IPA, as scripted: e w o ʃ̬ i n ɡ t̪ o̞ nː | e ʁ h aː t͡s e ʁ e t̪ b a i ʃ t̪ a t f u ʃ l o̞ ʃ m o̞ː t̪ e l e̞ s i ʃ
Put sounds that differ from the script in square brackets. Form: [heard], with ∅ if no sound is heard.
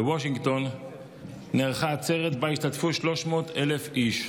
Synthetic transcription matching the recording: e w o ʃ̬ i [ŋ] ɡ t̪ o̞ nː | e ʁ [χ] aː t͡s e ʁ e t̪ b a i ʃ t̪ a t f u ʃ l o̞ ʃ m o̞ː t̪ e l e̞ [f] i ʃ